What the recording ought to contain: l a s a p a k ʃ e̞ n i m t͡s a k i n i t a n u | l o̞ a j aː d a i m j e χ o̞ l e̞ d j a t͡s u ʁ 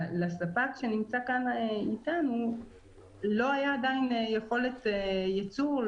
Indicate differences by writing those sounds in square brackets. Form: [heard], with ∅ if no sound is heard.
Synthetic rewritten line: l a s a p a k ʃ e̞ n i m t͡s a k [a] n i t a n u | l o̞ a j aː d a i [n] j e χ o̞ l e̞ [t] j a t͡s u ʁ